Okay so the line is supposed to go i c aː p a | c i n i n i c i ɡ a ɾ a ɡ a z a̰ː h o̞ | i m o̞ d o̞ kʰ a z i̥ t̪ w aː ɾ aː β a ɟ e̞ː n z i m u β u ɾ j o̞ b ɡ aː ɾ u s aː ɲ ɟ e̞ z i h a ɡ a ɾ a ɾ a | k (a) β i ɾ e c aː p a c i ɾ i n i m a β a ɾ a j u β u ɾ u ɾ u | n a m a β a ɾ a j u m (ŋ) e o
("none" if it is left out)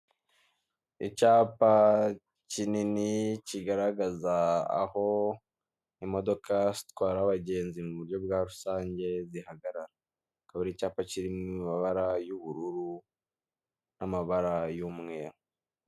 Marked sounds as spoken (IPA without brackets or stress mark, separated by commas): a, ŋ